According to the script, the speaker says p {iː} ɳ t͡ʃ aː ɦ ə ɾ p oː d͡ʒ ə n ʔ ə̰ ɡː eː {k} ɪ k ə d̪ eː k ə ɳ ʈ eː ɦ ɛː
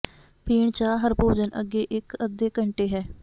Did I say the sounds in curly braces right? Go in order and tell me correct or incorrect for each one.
correct, incorrect

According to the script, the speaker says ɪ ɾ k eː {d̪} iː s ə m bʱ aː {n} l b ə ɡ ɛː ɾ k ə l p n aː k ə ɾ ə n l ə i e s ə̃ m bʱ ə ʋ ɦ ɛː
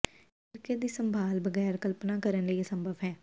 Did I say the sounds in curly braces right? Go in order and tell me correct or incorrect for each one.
correct, incorrect

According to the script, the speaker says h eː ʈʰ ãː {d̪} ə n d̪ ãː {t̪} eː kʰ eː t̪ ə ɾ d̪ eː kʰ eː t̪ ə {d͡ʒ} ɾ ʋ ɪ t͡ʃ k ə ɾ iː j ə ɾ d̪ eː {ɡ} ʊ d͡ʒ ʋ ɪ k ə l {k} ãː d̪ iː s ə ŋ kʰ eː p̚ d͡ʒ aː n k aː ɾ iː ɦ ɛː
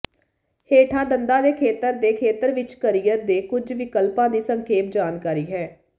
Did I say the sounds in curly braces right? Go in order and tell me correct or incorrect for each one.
correct, incorrect, incorrect, incorrect, incorrect

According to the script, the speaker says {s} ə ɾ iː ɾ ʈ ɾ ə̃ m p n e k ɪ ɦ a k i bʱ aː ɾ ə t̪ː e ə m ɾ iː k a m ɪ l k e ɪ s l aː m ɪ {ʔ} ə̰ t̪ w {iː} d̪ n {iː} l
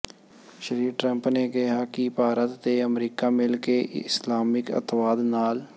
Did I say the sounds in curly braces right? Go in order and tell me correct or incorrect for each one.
incorrect, incorrect, incorrect, incorrect

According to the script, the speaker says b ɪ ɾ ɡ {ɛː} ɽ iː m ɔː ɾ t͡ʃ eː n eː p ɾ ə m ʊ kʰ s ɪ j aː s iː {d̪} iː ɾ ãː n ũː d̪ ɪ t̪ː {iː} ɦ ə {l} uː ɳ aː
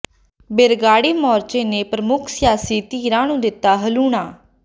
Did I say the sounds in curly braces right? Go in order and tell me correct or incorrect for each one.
incorrect, incorrect, incorrect, correct

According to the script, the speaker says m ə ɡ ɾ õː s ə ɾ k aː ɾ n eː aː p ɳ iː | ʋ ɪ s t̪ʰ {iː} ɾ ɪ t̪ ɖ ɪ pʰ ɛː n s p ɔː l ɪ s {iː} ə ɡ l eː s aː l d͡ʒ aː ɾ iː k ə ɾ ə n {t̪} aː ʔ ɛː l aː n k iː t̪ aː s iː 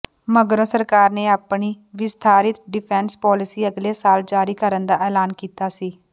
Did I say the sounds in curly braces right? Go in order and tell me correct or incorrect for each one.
incorrect, correct, incorrect

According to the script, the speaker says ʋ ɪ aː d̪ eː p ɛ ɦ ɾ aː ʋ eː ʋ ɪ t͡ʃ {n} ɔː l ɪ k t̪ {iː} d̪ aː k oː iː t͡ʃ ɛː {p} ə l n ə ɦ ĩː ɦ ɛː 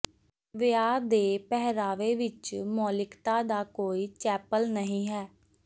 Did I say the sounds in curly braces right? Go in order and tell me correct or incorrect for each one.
incorrect, incorrect, correct

